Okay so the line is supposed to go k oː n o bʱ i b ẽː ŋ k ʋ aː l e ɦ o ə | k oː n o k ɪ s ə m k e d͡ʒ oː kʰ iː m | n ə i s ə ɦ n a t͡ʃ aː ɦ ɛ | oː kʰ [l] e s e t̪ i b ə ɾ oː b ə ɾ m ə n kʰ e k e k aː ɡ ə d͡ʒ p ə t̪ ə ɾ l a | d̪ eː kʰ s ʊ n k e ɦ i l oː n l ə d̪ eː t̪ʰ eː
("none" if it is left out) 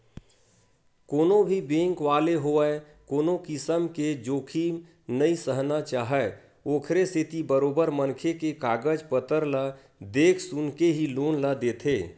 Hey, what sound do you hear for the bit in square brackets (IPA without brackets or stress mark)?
ɾ